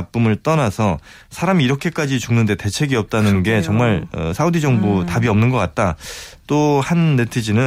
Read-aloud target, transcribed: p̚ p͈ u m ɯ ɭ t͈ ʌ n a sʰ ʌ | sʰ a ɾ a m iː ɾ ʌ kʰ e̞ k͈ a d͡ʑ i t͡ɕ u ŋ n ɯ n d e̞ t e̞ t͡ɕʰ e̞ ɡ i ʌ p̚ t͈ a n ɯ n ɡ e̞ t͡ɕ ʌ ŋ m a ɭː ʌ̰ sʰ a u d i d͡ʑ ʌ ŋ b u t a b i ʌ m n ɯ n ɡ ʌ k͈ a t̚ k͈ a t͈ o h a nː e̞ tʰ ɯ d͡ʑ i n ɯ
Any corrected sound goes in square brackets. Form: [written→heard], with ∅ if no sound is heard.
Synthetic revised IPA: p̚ p͈ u m ɯ ɭ t͈ ʌ n a sʰ ʌ | sʰ a ɾ a m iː ɾ ʌ kʰ e̞ k͈ a d͡ʑ i t͡ɕ u ŋ n ɯ n d e̞ t e̞ t͡ɕʰ e̞ ɡ i ʌ p̚ t͈ a n ɯ n ɡ e̞ t͡ɕ ʌ ŋ m a [ɭː→ɭ] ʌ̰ sʰ a u d i d͡ʑ ʌ ŋ b u t a b i ʌ m n ɯ n ɡ ʌ k͈ a t̚ [k͈→t͈] a t͈ o h a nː e̞ tʰ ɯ d͡ʑ i n ɯ